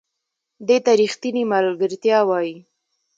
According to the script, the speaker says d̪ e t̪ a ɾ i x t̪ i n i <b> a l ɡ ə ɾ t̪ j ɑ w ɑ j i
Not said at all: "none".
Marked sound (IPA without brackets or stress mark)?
m